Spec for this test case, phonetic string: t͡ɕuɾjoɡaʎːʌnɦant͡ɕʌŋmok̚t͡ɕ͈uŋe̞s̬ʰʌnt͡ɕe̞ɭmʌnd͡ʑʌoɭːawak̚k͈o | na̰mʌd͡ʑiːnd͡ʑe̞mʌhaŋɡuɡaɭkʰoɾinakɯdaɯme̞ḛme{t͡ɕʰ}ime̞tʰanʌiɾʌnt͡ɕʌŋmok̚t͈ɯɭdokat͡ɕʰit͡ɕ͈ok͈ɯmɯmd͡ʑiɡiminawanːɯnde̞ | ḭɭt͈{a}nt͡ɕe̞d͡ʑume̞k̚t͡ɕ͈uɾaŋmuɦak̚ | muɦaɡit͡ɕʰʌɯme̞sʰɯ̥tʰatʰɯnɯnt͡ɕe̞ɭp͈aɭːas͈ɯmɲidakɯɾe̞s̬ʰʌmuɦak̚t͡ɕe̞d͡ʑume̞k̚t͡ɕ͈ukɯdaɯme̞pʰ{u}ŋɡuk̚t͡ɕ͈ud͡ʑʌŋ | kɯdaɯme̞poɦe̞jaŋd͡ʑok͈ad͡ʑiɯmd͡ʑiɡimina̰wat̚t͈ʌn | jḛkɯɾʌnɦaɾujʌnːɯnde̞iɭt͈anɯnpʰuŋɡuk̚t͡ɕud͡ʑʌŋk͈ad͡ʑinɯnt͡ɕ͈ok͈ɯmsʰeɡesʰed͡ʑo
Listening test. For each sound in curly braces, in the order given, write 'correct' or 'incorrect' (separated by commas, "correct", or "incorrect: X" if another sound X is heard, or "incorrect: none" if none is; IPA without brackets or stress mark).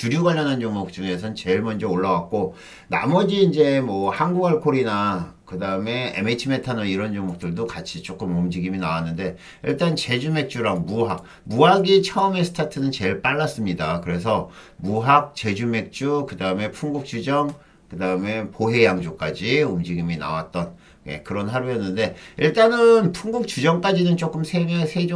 correct, correct, correct